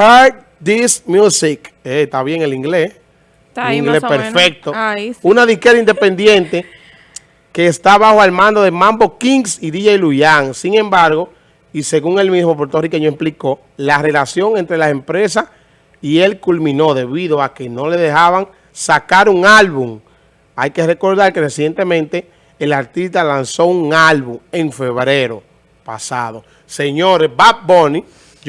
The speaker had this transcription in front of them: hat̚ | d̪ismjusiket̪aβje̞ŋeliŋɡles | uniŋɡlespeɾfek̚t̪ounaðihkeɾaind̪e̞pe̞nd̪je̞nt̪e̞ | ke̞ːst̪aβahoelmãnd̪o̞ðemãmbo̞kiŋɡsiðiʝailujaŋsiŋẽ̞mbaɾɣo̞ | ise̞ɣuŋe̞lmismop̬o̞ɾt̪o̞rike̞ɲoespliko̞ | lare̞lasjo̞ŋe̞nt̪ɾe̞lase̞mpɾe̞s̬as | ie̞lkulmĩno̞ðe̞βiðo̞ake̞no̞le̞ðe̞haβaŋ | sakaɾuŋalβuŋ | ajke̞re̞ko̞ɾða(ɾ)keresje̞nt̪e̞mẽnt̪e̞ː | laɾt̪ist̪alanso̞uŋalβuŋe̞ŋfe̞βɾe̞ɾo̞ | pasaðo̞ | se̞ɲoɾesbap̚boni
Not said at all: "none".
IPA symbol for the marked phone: ɾ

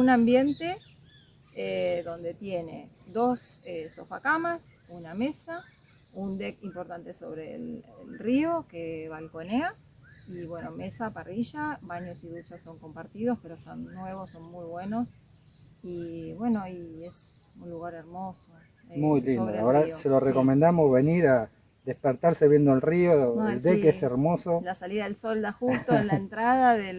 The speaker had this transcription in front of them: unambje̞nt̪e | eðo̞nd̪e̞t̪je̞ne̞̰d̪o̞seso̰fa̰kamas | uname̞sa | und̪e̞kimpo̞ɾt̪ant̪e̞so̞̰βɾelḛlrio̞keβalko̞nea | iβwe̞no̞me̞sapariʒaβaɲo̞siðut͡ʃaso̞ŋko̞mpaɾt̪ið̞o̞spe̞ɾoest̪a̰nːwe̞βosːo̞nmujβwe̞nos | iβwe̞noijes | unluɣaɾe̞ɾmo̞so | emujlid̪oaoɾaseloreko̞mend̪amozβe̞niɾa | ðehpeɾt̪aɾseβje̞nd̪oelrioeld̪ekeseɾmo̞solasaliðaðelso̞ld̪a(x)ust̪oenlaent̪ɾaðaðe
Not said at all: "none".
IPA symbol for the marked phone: x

